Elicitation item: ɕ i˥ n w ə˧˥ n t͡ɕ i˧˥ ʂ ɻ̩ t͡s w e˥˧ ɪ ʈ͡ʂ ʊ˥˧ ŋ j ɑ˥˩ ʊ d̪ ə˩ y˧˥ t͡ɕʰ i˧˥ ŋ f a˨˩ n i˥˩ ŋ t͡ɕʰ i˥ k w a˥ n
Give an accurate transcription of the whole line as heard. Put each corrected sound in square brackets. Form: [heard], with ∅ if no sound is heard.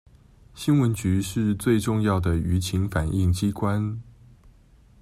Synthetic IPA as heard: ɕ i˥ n w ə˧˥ n t͡ɕ [y˧˥] ʂ ɻ̩ t͡s w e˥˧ ɪ ʈ͡ʂ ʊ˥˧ ŋ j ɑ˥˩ ʊ d̪ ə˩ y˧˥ t͡ɕʰ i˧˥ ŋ f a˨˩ n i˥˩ ŋ [t͡ɕ] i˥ k w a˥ n